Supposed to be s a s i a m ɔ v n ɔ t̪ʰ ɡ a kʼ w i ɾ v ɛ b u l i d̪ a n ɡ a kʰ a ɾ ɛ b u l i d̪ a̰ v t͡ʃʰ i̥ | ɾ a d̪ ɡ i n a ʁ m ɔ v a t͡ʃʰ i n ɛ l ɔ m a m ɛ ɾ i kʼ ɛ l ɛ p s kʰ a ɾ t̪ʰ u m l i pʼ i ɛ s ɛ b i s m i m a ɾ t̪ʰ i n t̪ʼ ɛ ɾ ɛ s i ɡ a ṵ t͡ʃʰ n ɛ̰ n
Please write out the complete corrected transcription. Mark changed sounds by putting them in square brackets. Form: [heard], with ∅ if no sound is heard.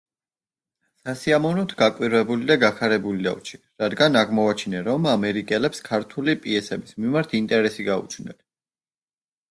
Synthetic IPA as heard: s a s i a m ɔ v n ɔ t̪ʰ ɡ a kʼ w i ɾ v ɛ b u l i d̪ a [∅] ɡ a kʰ a ɾ ɛ b u l i d̪ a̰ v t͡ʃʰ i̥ | ɾ a d̪ ɡ [a] n a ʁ m ɔ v a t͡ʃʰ i n ɛ [ɾ] ɔ m a m ɛ ɾ i kʼ ɛ l ɛ p s kʰ a ɾ t̪ʰ u [∅] l i pʼ i ɛ s ɛ b i s m i m a ɾ t̪ʰ i n t̪ʼ ɛ ɾ ɛ s i ɡ a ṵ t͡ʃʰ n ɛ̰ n